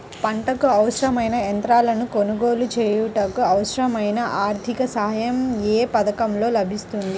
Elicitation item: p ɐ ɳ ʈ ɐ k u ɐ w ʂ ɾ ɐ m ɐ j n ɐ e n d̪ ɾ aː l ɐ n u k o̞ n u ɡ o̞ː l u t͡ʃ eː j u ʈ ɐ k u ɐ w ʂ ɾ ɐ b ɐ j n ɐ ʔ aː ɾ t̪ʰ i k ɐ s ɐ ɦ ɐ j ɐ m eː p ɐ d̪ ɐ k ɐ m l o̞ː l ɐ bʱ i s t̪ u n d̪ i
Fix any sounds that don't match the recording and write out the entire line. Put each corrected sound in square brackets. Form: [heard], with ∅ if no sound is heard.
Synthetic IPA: p ɐ ɳ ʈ ɐ k u ɐ w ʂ ɾ ɐ m ɐ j n ɐ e n [t̪] ɾ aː l ɐ n u k o̞ n u ɡ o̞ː l u t͡ʃ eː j u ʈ ɐ k u ɐ w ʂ ɾ ɐ [m] ɐ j n ɐ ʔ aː ɾ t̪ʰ i k ɐ s ɐ ɦ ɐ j ɐ m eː p ɐ d̪ ɐ k ɐ m l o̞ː l ɐ bʱ i s t̪ u n d̪ i